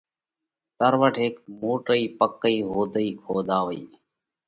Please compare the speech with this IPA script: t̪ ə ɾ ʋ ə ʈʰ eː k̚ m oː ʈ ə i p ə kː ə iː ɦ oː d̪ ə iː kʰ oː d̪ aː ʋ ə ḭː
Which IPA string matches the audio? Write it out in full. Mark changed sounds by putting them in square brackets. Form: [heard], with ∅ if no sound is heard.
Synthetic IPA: t̪ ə ɾ ʋ ə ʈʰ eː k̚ m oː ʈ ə [iː] p ə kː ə iː ɦ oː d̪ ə iː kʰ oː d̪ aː ʋ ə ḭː